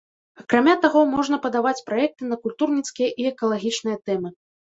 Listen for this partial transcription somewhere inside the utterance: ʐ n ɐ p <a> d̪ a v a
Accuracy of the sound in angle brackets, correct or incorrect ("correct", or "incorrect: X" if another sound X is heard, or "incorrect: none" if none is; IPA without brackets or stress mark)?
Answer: incorrect: ɐ